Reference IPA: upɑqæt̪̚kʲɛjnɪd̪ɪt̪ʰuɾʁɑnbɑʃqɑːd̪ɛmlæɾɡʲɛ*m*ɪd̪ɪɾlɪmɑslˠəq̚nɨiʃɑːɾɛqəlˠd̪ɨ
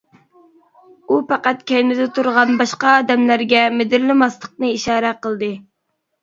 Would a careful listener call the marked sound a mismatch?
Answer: no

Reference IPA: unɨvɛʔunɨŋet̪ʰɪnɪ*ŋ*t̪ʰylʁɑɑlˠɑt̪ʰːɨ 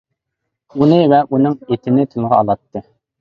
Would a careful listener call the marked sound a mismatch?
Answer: yes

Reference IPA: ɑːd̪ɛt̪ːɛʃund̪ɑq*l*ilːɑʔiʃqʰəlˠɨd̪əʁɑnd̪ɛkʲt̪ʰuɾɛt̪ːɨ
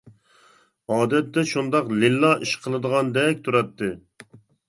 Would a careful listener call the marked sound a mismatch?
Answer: no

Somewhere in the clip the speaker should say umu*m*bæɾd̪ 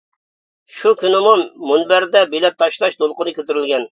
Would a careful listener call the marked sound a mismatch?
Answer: yes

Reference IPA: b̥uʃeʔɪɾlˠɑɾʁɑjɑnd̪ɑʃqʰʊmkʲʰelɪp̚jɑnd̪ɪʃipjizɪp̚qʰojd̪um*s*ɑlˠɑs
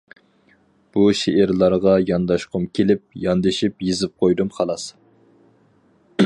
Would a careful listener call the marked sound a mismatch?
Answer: yes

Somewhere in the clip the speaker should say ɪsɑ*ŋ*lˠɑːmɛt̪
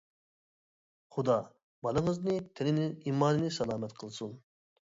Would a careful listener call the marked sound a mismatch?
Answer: yes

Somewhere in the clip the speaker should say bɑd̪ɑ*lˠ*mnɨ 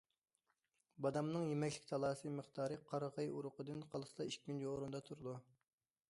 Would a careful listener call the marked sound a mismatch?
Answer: yes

